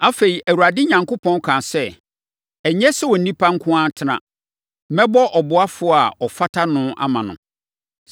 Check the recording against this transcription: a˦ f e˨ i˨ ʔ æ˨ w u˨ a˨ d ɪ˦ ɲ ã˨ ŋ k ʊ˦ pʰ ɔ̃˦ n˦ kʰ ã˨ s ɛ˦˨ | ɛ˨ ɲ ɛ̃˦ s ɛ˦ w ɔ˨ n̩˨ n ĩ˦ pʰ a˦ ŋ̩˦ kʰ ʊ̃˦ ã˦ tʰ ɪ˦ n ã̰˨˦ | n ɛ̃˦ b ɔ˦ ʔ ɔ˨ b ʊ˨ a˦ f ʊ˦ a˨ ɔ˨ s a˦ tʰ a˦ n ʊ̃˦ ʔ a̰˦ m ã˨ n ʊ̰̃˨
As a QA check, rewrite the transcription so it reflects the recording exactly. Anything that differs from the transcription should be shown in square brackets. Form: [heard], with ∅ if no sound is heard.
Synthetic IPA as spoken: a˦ f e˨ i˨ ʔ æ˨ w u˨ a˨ d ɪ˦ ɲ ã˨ ŋ k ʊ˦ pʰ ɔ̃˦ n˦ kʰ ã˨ s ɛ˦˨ | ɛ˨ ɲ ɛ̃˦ s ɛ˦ w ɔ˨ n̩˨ n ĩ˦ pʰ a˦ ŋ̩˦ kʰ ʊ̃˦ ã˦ tʰ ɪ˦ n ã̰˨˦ | [m] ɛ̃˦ b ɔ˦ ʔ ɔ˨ b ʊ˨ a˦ f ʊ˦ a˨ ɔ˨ [f] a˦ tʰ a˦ n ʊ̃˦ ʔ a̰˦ m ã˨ n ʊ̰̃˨

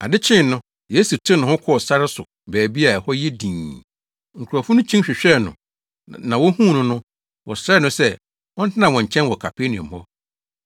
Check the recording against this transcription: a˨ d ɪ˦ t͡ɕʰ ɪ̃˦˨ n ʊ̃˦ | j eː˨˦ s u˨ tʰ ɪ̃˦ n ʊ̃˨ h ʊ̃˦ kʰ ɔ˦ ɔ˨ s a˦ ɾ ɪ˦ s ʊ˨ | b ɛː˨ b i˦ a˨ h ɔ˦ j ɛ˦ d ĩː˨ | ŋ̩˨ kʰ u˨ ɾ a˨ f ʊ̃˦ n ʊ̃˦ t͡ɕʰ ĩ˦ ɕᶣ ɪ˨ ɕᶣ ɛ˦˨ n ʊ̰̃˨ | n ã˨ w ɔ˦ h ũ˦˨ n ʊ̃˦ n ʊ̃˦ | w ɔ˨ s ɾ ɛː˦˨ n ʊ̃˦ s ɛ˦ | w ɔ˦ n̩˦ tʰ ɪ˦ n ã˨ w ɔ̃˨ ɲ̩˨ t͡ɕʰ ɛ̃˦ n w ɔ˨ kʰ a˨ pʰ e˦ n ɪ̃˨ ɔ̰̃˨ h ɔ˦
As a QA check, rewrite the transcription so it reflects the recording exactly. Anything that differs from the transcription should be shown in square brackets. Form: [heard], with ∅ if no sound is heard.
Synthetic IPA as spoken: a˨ d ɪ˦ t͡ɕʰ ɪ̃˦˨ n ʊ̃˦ | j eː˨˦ s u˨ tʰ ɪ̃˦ n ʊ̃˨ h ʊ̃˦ kʰ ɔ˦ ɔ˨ s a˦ ɾ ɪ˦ s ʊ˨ | b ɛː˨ b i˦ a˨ h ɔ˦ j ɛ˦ d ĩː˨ | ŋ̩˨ kʰ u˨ ɾ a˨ f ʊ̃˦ n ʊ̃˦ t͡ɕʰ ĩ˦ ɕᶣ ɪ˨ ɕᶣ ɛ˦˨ n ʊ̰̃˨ | n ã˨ w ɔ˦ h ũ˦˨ n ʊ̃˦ n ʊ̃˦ | w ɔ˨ s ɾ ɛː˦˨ n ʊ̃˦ s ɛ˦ | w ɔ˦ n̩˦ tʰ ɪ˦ n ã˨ w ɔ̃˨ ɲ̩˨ t͡ɕʰ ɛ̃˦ n w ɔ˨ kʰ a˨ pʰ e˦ n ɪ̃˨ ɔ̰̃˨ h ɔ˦

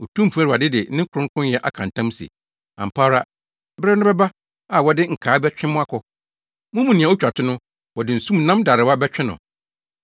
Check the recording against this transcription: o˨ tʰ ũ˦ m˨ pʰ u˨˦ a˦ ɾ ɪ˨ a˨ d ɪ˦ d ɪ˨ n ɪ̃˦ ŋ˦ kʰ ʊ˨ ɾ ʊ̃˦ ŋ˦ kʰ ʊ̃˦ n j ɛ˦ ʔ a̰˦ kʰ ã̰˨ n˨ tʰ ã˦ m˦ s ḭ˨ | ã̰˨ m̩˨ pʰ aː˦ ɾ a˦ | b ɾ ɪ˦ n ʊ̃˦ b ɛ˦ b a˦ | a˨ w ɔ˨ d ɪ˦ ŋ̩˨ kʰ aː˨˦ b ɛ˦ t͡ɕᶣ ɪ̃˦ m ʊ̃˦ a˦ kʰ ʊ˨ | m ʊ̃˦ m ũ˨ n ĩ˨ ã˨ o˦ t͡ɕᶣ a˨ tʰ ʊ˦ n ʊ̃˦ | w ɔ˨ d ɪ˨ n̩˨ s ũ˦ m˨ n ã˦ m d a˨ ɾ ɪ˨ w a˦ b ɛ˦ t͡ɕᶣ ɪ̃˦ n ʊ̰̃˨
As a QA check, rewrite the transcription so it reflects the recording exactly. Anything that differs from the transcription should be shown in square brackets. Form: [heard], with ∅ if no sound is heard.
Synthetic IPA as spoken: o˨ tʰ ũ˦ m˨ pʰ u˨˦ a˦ ɾ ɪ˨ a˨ d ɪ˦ d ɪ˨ n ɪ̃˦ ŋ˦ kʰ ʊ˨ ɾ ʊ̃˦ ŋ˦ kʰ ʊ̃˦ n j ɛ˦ ʔ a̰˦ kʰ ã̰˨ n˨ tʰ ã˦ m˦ s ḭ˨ | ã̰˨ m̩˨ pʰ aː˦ ɾ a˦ | b ɾ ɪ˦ n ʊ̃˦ b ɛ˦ b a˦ | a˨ w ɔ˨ d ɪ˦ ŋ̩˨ kʰ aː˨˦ b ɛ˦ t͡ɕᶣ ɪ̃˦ m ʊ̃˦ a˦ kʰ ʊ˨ | m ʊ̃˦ m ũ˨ n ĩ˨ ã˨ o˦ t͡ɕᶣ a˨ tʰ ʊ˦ n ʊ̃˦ | w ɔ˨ d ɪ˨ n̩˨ s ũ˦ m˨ n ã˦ m d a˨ ɾ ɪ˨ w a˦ b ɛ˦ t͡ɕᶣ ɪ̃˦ n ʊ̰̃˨

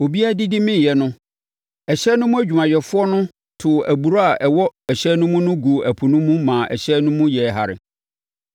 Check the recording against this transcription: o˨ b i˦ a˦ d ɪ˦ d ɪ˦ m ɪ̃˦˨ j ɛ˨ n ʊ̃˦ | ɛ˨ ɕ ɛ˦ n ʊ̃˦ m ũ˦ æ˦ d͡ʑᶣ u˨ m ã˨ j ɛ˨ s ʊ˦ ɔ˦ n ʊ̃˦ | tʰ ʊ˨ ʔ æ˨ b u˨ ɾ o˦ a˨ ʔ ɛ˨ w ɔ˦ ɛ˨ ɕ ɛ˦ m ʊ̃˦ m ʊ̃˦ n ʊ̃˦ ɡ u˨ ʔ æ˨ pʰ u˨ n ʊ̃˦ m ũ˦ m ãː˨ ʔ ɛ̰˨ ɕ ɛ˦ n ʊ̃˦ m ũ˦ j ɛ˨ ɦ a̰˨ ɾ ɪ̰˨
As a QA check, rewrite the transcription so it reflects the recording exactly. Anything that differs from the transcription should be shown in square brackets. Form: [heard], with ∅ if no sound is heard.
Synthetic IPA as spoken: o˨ b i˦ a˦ d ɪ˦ d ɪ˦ m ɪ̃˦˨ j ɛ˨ n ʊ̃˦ | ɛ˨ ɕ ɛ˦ n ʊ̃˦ m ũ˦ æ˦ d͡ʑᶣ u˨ m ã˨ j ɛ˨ [f] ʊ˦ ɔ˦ n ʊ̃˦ | tʰ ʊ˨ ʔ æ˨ b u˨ ɾ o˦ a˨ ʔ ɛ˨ w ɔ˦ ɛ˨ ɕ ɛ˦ [n] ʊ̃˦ m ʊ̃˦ n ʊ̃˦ ɡ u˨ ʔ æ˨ pʰ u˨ n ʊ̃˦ m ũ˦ m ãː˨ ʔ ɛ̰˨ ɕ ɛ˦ n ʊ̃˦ m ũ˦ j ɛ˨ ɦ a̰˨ ɾ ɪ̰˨

